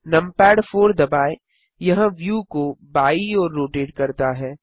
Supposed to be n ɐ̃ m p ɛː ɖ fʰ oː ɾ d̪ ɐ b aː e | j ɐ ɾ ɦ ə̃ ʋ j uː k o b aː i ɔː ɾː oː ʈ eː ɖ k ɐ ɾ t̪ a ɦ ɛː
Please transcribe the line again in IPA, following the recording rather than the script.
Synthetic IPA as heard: n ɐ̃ m p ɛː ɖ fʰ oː ɾ d̪ ɐ b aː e | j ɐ ɦ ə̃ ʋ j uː k o b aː i ɔː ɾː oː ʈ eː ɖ k ɐ ɾ t̪ a ɦ ɛː